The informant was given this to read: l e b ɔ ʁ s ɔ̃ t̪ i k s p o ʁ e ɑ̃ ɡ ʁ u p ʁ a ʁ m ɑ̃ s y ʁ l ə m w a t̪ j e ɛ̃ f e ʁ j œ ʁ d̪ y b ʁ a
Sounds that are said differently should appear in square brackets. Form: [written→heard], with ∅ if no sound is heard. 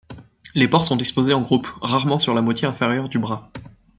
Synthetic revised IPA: l e [b→p] ɔ ʁ s ɔ̃ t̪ i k s p o [ʁ→z] e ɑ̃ ɡ ʁ u p ʁ a ʁ m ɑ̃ s y ʁ l [ə→a] m w a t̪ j e ɛ̃ f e ʁ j œ ʁ d̪ y b ʁ a

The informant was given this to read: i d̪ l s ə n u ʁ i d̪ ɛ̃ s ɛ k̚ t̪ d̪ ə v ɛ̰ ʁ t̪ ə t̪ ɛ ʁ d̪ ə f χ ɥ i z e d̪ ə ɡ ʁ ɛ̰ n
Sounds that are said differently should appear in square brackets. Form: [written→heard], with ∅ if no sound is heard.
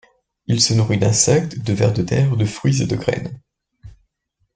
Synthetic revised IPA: i [d̪→∅] l s ə n u ʁ i d̪ ɛ̃ s ɛ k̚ t̪ d̪ ə v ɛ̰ ʁ [t̪→d̪] ə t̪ ɛ ʁ d̪ ə f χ ɥ i z e d̪ ə ɡ ʁ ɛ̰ n

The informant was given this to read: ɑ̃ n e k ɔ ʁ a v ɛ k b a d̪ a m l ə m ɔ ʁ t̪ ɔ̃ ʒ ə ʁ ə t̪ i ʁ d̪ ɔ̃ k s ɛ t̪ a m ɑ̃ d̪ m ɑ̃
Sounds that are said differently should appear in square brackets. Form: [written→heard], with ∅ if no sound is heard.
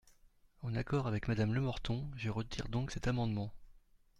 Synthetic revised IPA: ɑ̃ n [e→a] k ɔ ʁ a v ɛ k [b→m] a d̪ a m l ə m ɔ ʁ t̪ ɔ̃ ʒ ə ʁ ə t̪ i ʁ d̪ ɔ̃ k s ɛ t̪ a m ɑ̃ d̪ m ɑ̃

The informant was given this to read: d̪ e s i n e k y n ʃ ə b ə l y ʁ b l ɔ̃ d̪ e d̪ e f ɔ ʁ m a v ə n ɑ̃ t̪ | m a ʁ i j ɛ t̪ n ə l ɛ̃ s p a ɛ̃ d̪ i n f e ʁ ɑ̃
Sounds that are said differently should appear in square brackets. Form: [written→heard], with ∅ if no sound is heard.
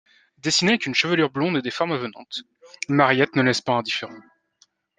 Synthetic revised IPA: d̪ e s i n e k y n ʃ ə [b→v] ə l y ʁ b l ɔ̃ d̪ e d̪ e f ɔ ʁ m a v ə n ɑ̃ t̪ | m a ʁ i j ɛ t̪ n ə l [ɛ̃→ɛ] s p a ɛ̃ d̪ i [n→∅] f e ʁ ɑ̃

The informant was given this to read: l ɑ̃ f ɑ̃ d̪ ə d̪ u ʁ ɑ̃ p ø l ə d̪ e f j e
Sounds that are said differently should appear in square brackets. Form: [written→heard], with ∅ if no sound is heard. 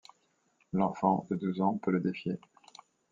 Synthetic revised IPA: l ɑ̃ f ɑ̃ d̪ ə d̪ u [ʁ→z] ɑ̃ p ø l ə d̪ e f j e

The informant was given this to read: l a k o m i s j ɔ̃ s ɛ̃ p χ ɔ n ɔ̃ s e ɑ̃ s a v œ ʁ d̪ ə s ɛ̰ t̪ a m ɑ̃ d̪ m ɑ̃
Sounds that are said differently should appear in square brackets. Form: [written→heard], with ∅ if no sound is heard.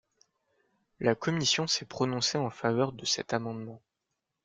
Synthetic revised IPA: l a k [o→ɔ] m i s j ɔ̃ s [ɛ̃→ɛ] p χ ɔ n ɔ̃ s e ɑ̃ [s→f] a v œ ʁ d̪ ə s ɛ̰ t̪ a m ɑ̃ d̪ m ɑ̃

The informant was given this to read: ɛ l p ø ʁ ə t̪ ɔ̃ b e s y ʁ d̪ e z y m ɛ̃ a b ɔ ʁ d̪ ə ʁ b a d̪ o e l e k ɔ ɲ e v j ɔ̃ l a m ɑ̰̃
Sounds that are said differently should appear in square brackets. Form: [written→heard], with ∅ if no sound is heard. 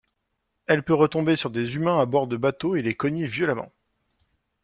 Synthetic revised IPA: ɛ l p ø ʁ ə t̪ ɔ̃ b e s y ʁ d̪ e z y m ɛ̃ a b ɔ ʁ d̪ ə [ʁ→∅] b a [d̪→t̪] o e l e k ɔ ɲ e v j [ɔ̃→ɔ] l a m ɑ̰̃

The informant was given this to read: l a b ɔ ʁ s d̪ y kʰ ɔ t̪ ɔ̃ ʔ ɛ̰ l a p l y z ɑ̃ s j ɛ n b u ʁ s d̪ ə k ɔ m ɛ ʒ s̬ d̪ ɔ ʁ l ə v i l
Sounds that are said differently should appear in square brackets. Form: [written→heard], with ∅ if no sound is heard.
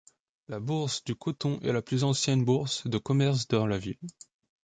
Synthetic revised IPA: l a b [ɔ→u] ʁ s d̪ y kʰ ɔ t̪ ɔ̃ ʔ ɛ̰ l a p l y z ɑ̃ s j ɛ n b u ʁ s d̪ ə k ɔ m ɛ [ʒ→ʁ] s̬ d̪ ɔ ʁ l [ə→a] v i l

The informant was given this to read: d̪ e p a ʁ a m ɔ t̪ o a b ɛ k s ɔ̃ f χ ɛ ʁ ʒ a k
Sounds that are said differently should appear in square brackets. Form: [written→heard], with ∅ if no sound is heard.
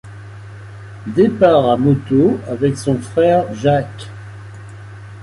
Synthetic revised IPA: d̪ e p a ʁ a m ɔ t̪ o a [b→v] ɛ k s ɔ̃ f χ ɛ ʁ ʒ a k

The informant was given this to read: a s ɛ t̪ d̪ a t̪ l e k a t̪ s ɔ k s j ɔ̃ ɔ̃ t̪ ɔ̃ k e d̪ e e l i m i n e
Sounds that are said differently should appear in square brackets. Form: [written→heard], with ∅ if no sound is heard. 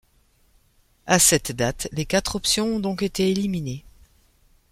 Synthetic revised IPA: a s ɛ t̪ d̪ a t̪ l e k a t̪ [s→χ] ɔ [k→p] s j ɔ̃ ɔ̃ [t̪→d̪] ɔ̃ k e [d̪→t̪] e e l i m i n e

